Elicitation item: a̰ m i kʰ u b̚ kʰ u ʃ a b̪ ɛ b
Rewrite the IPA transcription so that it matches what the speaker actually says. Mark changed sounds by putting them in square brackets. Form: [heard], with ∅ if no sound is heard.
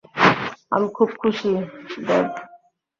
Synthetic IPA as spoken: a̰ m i kʰ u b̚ kʰ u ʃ [i] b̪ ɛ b